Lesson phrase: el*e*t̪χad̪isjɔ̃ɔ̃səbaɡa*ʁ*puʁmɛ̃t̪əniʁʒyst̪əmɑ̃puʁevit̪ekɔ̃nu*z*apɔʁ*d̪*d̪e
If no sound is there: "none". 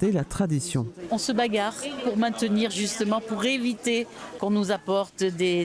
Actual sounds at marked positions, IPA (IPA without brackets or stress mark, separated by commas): a, ʁ, z, t̪